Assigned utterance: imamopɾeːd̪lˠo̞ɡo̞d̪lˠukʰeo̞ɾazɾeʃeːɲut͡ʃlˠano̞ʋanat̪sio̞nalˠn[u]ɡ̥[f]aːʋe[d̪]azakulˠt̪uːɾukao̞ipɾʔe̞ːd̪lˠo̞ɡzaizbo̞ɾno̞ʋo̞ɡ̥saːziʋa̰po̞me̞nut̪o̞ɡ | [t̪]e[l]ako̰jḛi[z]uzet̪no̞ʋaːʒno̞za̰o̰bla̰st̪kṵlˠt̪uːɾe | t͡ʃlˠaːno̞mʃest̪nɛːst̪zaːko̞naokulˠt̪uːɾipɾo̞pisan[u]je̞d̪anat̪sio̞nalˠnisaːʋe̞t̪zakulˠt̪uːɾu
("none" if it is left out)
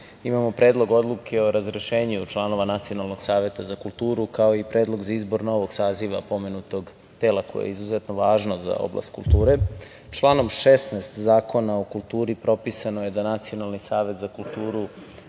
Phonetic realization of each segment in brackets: o, s, t̪, t̪, l, z, o

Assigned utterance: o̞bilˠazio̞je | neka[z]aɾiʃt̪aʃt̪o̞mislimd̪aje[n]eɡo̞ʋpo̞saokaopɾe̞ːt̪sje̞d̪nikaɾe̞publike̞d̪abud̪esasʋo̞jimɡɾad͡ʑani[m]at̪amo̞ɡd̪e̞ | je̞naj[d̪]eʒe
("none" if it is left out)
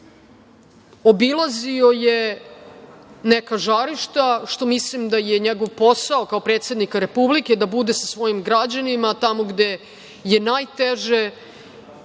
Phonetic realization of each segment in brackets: ʒ, ɲ, m, t̪

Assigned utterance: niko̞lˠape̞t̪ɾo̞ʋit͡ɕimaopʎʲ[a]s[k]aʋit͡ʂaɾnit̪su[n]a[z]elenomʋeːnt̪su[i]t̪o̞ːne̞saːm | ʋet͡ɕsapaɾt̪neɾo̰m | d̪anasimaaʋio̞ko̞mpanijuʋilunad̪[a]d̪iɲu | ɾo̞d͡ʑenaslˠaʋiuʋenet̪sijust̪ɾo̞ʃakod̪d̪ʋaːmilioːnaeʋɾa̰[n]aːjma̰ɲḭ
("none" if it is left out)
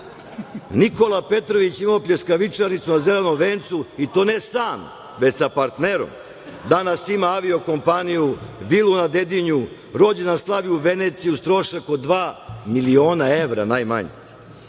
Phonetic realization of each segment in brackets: e, k, n, z, i, e, n

